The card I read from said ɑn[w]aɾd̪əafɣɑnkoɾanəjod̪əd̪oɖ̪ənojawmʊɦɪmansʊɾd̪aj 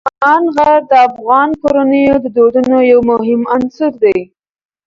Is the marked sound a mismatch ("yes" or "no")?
yes